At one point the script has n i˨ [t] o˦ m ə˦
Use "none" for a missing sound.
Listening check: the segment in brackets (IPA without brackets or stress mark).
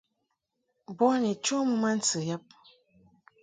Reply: t͡ʃ